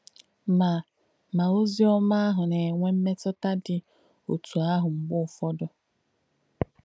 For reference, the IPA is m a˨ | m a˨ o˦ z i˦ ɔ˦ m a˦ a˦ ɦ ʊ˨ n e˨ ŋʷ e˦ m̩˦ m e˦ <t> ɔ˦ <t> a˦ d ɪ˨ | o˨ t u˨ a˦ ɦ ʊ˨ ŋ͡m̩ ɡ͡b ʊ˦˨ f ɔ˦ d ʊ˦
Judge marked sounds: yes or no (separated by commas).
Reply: yes, yes